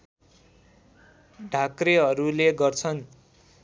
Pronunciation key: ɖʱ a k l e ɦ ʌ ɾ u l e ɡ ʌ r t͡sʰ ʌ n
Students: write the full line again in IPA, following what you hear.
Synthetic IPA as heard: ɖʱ a k r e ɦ ʌ ɾ u l e ɡ ʌ r t͡sʰ ʌ n